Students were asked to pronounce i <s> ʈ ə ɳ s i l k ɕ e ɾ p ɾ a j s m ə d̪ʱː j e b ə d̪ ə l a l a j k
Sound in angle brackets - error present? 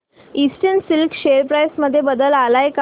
no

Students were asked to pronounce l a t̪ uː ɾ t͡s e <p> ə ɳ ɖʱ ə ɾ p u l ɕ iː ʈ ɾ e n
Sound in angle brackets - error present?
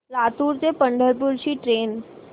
no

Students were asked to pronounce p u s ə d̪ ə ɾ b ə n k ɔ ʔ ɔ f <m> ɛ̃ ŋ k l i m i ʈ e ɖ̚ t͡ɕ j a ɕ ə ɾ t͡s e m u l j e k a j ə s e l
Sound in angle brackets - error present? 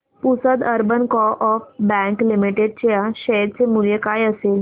yes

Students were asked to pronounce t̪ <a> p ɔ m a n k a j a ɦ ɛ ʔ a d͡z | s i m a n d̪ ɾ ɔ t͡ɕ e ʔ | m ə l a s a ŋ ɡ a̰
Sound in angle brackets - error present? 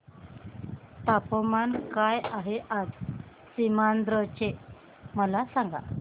no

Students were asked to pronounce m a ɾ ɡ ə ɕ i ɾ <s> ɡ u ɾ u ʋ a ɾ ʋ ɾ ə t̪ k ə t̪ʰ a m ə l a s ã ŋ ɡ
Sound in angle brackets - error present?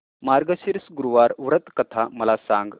no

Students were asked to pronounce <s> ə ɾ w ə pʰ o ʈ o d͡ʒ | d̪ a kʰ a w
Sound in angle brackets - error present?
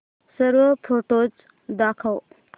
no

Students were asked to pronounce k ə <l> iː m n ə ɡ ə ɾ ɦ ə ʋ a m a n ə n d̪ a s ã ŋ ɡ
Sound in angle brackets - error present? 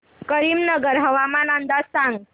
yes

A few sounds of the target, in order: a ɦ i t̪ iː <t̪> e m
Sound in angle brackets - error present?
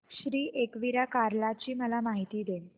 yes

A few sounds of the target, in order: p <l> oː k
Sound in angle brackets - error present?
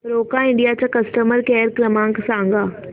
yes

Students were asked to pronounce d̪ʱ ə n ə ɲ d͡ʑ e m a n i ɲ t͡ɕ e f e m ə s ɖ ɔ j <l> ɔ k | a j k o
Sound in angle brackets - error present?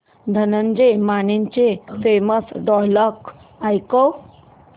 no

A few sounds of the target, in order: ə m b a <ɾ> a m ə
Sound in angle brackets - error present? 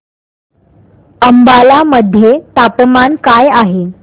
yes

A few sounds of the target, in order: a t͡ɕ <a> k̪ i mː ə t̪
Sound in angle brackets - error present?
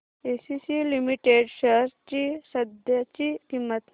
yes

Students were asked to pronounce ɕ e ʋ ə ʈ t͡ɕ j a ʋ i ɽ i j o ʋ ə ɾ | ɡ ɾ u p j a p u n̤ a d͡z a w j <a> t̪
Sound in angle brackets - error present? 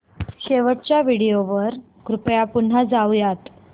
no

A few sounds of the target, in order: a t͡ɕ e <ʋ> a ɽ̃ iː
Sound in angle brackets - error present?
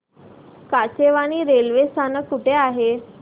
no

